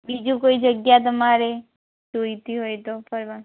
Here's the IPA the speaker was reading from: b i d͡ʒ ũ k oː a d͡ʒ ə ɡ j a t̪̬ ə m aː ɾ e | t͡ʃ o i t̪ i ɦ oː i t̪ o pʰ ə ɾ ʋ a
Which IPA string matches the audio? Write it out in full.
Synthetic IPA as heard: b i d͡ʒ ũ k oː i d͡ʒ ə ɡ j a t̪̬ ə m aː ɾ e | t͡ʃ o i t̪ i ɦ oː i t̪ o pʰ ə ɾ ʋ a